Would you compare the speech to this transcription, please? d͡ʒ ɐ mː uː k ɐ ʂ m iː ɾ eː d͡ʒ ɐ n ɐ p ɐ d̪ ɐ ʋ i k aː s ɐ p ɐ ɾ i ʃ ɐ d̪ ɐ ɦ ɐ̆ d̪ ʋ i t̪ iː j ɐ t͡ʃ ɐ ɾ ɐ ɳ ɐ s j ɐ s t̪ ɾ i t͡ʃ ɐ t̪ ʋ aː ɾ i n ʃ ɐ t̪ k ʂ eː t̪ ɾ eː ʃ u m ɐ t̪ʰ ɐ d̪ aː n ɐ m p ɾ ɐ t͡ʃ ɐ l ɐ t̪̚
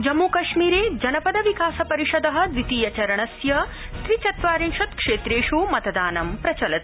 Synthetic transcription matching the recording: d͡ʒ ɐ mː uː k ɐ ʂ m iː ɾ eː d͡ʒ ɐ n ɐ p ɐ d̪ ɐ ʋ i k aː s ɐ p ɐ ɾ i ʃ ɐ d̪ ɐ ɦ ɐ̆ d̪ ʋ i t̪ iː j ɐ t͡ʃ ɐ ɾ ɐ ɳ ɐ s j ɐ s t̪ ɾ i t͡ʃ ɐ t̪ ʋ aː ɾ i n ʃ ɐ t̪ k ʂ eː t̪ ɾ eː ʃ u m ɐ t̪ ɐ d̪ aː n ɐ m p ɾ ɐ t͡ʃ ɐ l ɐ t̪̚